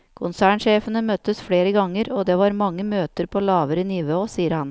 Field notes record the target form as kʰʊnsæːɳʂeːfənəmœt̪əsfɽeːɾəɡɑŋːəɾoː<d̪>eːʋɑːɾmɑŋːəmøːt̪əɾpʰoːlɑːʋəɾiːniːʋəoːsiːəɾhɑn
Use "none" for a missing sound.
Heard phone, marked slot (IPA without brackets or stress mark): d̪